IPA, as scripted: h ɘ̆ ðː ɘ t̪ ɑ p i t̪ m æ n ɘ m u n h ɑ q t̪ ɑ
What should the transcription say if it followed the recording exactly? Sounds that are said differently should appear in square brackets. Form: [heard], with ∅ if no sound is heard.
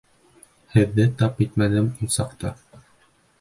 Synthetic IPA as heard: h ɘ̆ ðː ɘ t̪ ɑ p i t̪ m æ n ɘ m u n [s] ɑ q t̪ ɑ